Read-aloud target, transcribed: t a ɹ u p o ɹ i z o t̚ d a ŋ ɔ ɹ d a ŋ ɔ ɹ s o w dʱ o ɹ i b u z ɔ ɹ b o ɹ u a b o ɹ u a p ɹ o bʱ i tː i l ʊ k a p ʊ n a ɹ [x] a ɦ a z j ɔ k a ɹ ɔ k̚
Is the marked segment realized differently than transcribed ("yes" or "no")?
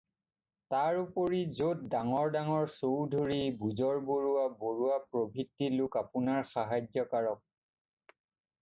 no